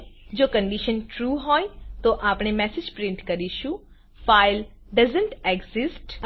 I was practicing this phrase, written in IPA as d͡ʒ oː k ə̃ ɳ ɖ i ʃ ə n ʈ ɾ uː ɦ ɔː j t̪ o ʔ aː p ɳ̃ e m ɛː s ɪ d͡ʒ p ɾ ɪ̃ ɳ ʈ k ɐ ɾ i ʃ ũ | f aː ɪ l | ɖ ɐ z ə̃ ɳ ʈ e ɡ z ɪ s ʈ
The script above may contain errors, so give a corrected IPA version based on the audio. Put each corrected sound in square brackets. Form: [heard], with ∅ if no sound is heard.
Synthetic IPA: d͡ʒ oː k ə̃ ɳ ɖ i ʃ ə n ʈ ɾ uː ɦ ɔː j t̪ o ʔ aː p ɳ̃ e m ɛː s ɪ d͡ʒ p ɾ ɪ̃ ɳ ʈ k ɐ ɾ i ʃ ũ | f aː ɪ l | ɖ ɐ z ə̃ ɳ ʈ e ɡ z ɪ s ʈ